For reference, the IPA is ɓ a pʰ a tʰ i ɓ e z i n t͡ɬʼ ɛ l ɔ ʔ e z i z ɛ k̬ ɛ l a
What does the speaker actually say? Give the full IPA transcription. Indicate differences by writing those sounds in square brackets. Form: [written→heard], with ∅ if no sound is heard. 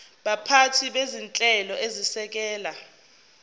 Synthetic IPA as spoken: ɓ a pʰ a tʰ i ɓ e z i n t͡ɬʼ ɛ l ɔ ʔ e z i [z→s] ɛ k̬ [ɛ→ɛː] l a

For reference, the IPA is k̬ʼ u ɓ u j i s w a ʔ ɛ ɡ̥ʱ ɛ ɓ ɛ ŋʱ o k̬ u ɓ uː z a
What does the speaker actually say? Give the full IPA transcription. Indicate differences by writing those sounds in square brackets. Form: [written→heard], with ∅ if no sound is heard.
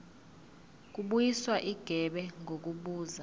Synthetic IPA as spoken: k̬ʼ u ɓ u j i s w a ʔ [ɛ→i] ɡ̥ʱ ɛ ɓ ɛ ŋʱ o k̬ u ɓ uː z a

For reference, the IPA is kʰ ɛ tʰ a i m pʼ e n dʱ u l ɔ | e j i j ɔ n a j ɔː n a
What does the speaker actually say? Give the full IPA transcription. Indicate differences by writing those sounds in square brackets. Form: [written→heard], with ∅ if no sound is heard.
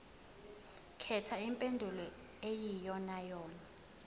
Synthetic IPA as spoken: kʰ ɛ tʰ a i m pʼ e n dʱ u l ɔ | e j i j ɔ n a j ɔː n a

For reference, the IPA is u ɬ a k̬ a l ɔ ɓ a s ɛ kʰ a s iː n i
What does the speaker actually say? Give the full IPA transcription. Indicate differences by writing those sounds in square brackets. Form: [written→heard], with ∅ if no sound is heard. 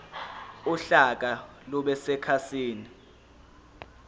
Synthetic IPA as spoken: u ɬ a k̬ a l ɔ ɓ [a→ɛ] s ɛ kʰ a s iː n i

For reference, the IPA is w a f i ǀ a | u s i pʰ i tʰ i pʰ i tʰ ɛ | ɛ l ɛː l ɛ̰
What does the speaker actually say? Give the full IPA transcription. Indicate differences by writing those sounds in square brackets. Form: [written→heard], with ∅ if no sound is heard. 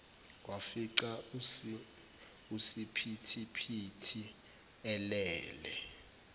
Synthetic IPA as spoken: w a f i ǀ a | u s i pʰ i tʰ i pʰ i tʰ [ɛ→i] | ɛ l ɛː l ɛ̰

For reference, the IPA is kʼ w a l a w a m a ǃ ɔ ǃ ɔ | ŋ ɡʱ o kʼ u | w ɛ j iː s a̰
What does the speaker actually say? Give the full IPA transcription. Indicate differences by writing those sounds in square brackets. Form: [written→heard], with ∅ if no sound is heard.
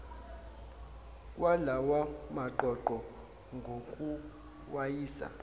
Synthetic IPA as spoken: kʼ w a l a w a m a ǃ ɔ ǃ ɔ | ŋ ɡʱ o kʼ u | w [ɛ→a] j iː s a̰

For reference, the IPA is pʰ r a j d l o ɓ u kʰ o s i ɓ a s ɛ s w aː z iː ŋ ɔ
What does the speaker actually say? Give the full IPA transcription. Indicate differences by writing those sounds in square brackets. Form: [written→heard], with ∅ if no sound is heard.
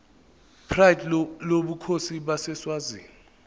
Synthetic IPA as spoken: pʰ r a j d l o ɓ u kʰ o s i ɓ a s ɛ s w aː z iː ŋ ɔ

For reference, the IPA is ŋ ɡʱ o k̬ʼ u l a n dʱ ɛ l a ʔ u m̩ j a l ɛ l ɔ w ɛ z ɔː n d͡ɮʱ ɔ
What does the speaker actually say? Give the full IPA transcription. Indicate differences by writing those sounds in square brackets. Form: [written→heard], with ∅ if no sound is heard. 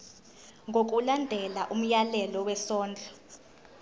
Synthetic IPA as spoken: ŋ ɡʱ o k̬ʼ u l a n dʱ ɛ l a ʔ u m̩ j a l ɛ l ɔ w ɛ [z→s] ɔː n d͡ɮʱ ɔ

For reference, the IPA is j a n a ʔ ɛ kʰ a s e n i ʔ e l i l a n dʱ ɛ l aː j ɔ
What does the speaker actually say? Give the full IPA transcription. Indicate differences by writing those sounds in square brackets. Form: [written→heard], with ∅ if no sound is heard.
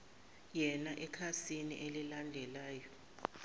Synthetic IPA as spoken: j [a→ɛ] n a ʔ ɛ kʰ a s [e→i] n i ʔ e l i l a n dʱ ɛ l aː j ɔ

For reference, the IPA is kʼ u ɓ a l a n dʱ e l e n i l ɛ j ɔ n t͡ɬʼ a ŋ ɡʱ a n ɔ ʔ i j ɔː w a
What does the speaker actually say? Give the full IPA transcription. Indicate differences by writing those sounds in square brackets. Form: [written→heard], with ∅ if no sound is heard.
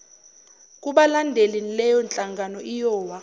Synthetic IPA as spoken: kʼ u ɓ a l a n dʱ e l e n i l ɛ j ɔ n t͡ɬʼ a ŋ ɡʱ a n ɔ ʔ i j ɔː w a

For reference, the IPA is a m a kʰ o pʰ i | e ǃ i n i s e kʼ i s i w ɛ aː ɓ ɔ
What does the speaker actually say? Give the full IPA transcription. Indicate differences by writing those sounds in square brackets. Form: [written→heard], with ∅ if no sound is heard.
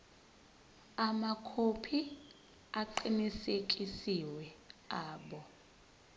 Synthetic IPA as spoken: a m a kʰ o pʰ i | [e→a] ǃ i n i s e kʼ i s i w ɛ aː ɓ ɔ

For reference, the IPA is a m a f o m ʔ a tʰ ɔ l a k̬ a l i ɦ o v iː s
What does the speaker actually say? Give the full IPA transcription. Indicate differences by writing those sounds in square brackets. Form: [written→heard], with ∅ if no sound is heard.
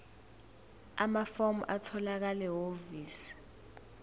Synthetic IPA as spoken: a m a f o m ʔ a tʰ ɔ l a k̬ a l [i→ɛ] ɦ o v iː s

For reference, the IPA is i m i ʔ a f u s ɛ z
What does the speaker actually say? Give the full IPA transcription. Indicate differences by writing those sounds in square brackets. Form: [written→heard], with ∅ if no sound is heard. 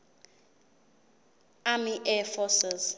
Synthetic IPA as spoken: [i→a] m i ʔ [a→ɛ] f [u→ɔ] s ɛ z

